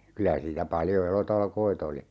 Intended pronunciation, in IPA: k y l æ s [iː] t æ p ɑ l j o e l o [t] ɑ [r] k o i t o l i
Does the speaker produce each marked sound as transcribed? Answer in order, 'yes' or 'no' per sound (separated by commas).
yes, yes, no